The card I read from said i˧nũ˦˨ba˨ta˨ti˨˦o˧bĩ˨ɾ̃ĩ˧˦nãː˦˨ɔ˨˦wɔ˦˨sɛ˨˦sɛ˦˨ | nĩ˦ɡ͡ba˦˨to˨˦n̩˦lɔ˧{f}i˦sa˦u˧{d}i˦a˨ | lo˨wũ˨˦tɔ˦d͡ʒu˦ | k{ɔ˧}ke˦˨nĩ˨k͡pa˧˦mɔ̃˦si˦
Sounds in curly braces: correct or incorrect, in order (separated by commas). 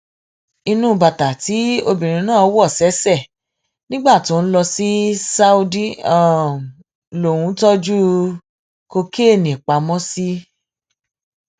incorrect, correct, incorrect